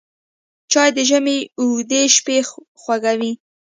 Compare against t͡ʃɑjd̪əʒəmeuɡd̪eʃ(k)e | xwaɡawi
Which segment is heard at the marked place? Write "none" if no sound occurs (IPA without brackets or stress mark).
p